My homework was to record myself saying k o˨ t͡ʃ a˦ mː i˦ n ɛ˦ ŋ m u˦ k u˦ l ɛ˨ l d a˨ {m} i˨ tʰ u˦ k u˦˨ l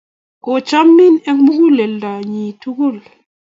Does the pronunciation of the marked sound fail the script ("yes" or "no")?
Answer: yes